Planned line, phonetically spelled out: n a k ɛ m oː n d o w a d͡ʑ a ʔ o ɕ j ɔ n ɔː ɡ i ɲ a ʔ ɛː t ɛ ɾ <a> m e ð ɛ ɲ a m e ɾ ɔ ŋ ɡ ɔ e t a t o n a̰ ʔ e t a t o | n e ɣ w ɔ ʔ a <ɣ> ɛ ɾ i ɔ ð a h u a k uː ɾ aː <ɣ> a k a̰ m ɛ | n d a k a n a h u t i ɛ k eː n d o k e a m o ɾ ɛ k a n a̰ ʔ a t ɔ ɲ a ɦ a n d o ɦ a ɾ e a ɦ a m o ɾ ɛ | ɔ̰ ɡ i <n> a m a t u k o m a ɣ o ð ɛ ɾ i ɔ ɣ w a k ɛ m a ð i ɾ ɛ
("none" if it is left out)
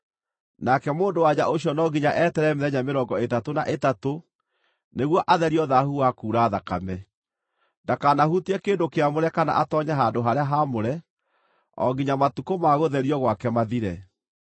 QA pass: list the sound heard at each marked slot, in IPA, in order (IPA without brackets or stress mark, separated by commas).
ɛ, ð, ð, ɲ